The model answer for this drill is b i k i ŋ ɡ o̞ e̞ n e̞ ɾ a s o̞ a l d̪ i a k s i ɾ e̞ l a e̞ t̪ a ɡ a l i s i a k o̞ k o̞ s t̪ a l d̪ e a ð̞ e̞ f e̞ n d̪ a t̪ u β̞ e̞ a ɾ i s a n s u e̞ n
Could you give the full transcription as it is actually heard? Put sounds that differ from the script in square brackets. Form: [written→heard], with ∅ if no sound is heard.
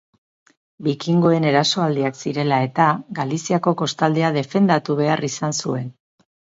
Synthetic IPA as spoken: b i k i ŋ ɡ o̞ e̞ n e̞ ɾ a s o̞ a l d̪ i a k s i ɾ e̞ l a e̞ t̪ a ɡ a l i s i a k o̞ k o̞ s t̪ a l d̪ e a ð̞ e̞ f e̞ n d̪ a t̪ u β̞ e̞ a [ɾ→r] i s a n s u e̞ n